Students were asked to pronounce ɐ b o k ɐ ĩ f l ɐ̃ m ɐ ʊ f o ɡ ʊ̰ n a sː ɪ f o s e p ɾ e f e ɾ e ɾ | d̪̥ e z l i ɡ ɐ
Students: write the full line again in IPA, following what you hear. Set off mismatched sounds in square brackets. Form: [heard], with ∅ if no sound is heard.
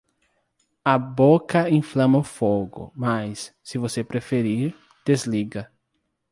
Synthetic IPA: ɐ b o k ɐ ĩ f l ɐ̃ m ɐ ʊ f o ɡ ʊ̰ [m] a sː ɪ [v] o s e p ɾ e f e ɾ [i] ɾ | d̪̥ e z l i ɡ ɐ